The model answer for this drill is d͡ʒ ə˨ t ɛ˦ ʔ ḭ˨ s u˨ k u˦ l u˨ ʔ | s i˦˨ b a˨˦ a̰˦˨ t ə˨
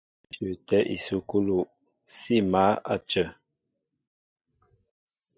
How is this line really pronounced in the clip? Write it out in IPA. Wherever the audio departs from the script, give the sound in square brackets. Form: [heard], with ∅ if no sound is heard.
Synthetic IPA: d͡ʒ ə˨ t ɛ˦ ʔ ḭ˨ s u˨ k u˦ l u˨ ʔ | s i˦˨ [m] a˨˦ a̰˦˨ [t͡ʃ] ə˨